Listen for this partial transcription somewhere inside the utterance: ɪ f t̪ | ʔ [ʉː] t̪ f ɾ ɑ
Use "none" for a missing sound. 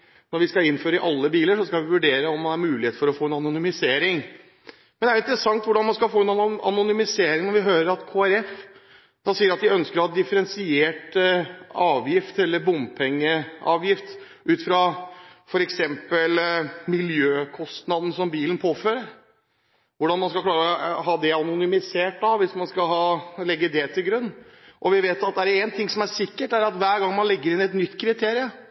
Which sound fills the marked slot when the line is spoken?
ʉː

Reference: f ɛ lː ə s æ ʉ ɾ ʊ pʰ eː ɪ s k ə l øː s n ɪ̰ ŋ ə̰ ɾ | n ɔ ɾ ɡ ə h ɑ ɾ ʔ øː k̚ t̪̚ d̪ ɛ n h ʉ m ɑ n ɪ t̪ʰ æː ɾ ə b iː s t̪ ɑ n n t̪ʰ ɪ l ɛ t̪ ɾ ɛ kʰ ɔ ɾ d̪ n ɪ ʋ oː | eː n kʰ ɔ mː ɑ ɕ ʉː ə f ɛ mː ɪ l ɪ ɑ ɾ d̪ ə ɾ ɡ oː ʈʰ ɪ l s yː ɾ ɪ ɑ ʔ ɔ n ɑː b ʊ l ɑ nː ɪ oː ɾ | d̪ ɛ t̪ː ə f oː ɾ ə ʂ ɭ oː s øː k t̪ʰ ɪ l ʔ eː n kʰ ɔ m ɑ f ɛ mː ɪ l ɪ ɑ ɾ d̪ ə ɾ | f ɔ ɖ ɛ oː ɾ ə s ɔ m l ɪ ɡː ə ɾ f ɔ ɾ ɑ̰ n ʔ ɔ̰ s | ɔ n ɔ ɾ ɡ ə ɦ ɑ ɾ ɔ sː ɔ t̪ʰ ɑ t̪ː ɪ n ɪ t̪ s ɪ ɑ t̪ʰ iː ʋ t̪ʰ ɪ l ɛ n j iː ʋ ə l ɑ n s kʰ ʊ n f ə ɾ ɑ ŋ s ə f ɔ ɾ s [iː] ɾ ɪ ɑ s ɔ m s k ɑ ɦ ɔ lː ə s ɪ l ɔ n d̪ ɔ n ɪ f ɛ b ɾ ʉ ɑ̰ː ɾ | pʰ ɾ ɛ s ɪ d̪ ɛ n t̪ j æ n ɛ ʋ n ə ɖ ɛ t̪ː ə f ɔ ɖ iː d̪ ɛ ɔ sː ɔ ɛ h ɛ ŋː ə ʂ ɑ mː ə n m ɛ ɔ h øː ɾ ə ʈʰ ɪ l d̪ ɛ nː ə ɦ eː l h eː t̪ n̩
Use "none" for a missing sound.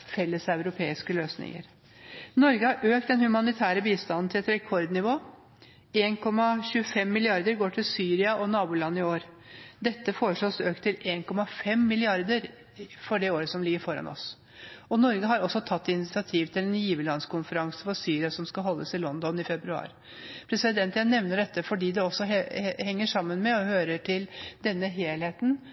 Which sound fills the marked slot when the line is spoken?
yː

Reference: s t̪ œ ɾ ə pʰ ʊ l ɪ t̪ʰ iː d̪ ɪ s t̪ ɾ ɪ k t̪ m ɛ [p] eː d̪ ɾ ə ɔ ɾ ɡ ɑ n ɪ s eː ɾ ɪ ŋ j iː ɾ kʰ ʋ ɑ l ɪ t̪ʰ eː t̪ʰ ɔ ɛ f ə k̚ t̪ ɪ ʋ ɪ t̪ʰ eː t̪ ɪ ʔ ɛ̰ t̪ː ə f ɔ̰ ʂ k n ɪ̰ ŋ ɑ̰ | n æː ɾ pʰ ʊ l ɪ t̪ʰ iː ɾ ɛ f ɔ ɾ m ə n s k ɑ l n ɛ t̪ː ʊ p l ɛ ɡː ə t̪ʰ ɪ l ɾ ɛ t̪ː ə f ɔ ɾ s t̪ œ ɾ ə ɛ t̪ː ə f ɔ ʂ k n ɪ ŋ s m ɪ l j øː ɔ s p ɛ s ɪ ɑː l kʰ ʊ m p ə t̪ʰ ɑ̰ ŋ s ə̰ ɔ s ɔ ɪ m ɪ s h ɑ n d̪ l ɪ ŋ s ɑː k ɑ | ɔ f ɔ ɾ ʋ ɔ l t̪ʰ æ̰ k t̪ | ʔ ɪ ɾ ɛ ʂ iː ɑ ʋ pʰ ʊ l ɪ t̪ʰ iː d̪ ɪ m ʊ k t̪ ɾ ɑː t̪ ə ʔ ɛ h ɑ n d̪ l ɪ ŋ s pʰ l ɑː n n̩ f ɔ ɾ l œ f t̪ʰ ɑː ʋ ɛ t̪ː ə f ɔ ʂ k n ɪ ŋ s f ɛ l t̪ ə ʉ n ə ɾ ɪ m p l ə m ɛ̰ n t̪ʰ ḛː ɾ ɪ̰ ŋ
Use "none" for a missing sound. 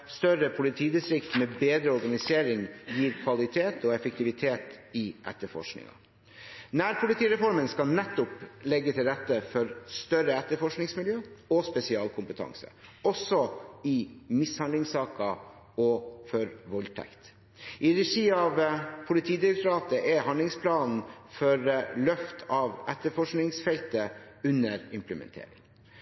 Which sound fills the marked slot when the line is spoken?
b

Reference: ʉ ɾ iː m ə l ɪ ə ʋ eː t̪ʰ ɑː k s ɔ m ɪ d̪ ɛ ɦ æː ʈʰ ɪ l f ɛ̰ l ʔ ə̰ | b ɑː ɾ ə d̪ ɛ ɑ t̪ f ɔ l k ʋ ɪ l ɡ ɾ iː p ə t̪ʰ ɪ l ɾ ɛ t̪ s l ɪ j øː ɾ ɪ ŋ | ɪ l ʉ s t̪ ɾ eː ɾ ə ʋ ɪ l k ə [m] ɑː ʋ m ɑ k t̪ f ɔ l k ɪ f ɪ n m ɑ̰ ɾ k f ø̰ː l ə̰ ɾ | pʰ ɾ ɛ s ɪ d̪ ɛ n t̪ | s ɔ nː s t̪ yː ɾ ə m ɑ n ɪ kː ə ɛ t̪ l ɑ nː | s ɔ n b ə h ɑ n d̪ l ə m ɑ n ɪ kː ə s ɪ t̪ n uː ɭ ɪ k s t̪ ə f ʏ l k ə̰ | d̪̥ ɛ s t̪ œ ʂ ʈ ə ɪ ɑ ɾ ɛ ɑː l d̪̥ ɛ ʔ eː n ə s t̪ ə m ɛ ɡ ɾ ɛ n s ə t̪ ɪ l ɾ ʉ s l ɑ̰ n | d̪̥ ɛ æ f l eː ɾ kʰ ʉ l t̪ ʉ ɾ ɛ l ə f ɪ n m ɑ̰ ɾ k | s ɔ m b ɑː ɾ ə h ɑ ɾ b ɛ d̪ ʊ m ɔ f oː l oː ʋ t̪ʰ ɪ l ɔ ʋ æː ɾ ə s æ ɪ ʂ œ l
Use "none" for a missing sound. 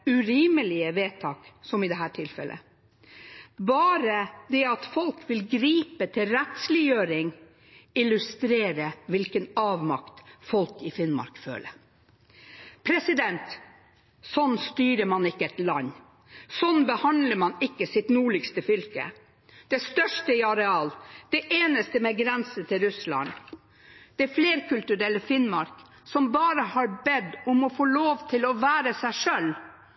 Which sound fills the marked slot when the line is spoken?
n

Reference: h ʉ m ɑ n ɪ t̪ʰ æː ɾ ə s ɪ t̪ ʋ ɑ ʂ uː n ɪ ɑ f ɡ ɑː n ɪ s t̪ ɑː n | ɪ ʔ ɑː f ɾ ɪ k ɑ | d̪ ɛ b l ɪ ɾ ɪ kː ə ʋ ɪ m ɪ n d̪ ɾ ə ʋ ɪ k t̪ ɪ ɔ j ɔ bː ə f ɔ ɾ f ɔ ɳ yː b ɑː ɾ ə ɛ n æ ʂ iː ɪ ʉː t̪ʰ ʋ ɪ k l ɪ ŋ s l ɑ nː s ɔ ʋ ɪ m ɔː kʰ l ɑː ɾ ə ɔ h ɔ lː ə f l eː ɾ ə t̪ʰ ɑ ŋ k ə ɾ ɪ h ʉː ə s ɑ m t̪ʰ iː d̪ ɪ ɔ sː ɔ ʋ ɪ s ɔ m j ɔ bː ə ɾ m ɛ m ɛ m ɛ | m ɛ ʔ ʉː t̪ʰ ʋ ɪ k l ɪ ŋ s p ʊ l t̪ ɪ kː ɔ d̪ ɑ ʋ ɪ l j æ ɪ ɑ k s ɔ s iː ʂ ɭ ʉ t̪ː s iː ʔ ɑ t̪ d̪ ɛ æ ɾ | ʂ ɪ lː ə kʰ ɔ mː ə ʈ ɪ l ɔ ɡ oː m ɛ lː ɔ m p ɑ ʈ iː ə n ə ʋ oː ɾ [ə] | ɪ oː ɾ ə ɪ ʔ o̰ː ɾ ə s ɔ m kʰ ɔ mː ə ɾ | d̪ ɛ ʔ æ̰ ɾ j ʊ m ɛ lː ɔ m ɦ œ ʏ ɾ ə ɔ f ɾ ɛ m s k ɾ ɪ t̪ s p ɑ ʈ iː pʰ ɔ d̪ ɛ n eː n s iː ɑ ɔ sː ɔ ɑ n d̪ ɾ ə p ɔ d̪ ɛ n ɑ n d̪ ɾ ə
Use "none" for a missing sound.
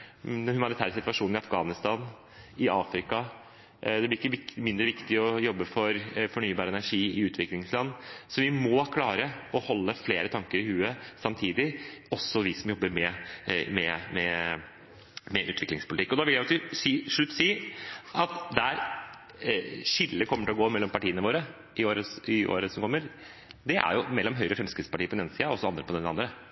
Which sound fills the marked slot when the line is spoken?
ə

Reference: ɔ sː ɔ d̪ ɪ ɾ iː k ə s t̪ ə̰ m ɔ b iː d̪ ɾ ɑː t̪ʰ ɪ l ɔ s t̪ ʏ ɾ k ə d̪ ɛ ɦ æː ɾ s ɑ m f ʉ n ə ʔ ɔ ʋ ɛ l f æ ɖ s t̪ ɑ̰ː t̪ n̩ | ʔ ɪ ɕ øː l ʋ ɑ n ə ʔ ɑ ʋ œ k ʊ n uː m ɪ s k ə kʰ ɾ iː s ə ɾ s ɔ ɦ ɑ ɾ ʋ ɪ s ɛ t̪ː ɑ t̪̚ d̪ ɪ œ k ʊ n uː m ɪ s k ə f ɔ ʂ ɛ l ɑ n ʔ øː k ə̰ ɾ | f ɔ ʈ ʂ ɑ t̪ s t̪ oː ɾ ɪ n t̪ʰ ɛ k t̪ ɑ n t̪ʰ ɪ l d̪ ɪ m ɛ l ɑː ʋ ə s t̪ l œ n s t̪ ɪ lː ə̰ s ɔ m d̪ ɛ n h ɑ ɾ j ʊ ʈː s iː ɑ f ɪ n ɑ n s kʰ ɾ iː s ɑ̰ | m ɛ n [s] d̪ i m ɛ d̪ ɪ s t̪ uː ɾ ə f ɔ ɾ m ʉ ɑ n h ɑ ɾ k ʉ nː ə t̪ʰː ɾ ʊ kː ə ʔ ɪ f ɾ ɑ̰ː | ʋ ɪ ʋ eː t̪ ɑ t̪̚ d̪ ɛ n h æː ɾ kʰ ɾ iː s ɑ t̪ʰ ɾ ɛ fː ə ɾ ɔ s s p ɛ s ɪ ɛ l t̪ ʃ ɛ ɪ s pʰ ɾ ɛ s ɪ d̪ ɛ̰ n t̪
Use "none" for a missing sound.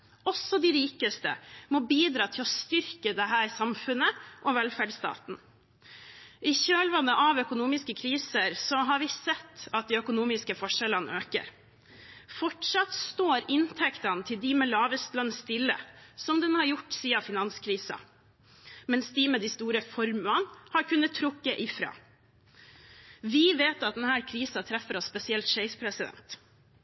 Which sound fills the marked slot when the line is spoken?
s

